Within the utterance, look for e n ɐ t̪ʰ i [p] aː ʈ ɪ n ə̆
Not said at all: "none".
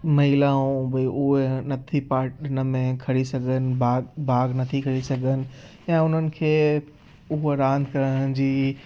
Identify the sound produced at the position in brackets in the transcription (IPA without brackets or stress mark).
p